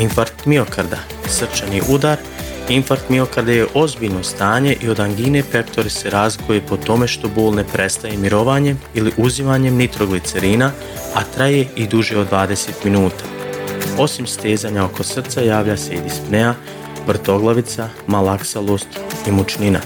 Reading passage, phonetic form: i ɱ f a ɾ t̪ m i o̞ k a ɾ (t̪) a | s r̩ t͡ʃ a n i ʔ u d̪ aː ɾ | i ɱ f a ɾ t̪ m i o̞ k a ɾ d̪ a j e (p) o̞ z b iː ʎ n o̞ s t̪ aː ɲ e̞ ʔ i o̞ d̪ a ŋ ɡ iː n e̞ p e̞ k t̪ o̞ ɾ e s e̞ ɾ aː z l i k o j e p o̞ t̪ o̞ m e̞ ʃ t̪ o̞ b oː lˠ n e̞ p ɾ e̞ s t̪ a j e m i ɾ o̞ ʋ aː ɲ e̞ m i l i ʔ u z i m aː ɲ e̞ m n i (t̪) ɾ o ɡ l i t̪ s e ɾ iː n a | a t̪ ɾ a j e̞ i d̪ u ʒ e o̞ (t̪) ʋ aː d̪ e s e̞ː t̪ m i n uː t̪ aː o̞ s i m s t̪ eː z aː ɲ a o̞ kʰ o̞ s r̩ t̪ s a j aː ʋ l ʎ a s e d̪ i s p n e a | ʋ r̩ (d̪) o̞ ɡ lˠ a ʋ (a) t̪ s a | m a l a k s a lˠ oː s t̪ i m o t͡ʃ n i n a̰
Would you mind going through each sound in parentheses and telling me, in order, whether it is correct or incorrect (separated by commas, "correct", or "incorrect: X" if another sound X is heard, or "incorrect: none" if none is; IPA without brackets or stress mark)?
incorrect: d̪, incorrect: ʔ, correct, incorrect: d̪, incorrect: t̪, incorrect: i